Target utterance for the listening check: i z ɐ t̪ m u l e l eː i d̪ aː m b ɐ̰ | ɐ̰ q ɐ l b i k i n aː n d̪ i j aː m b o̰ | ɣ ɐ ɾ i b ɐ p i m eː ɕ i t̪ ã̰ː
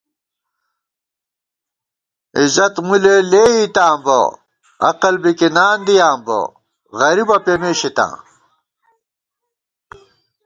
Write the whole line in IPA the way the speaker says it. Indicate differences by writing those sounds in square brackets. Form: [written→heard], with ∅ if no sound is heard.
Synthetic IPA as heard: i z ɐ t̪ m u l e l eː i [d̪→t̪] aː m b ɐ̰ | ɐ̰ q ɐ l b i k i n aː n d̪ i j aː m b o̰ | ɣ ɐ ɾ i b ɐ p [i→e] m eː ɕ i t̪ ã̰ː